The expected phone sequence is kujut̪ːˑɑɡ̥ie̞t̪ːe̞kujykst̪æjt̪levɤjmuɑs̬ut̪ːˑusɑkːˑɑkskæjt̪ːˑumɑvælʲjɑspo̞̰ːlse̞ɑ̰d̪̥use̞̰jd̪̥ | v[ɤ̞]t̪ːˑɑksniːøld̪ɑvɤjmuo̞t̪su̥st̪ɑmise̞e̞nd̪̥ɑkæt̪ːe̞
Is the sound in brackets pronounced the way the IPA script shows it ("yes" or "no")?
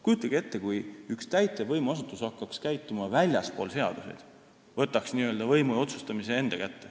yes